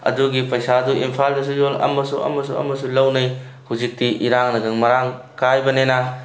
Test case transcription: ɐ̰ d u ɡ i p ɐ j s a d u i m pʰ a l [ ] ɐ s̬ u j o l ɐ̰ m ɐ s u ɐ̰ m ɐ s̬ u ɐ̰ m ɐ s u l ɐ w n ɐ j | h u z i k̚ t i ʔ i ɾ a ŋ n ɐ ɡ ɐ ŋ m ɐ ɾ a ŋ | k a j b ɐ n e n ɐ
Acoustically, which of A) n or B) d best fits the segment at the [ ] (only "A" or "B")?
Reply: B